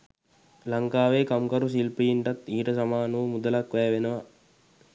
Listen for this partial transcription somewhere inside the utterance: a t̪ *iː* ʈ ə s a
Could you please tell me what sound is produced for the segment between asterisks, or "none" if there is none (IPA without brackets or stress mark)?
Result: iː